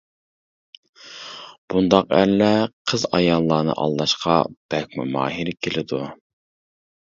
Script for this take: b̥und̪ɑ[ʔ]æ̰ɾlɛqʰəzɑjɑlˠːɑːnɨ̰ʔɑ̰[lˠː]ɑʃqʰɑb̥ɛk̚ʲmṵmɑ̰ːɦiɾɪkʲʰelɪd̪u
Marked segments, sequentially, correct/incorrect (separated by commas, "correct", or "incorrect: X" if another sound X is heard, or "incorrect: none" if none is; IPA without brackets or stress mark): incorrect: q, correct